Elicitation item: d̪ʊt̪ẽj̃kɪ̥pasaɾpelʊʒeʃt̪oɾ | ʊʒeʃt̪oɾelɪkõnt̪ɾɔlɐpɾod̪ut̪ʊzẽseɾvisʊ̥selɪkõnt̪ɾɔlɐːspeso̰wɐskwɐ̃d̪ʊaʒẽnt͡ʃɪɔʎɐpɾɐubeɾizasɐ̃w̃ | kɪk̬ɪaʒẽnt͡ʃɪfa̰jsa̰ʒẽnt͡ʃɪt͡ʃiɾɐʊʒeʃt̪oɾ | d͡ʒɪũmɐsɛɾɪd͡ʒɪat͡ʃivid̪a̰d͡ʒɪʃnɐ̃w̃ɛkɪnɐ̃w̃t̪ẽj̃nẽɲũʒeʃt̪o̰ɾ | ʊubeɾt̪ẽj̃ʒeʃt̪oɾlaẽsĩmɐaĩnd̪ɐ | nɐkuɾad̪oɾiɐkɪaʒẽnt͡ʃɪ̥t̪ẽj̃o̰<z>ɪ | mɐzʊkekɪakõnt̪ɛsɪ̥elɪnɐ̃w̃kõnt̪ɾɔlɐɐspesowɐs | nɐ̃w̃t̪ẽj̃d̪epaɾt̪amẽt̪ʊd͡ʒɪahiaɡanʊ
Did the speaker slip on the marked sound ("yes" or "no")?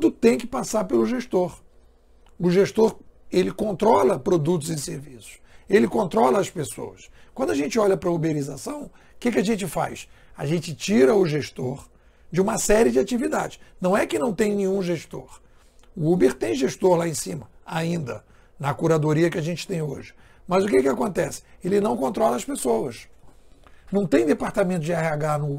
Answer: yes